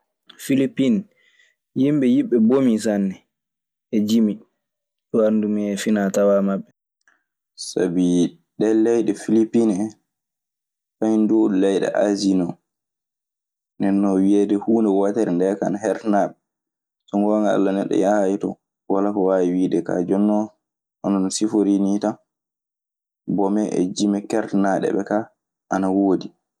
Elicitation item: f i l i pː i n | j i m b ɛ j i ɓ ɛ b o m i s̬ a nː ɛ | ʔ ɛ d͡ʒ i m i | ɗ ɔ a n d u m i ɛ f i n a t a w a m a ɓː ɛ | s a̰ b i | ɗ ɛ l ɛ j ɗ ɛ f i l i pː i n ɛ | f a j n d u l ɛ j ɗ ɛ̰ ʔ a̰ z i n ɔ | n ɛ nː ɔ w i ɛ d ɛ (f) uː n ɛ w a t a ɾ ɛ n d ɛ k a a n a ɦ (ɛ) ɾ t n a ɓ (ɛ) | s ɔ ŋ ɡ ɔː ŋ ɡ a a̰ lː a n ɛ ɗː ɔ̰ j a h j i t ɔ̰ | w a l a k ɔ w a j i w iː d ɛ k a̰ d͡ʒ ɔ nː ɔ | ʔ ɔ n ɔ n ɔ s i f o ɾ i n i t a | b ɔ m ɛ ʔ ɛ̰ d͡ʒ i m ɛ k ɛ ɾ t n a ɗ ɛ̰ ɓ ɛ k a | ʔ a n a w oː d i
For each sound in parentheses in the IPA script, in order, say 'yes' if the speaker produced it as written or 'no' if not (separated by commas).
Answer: no, yes, yes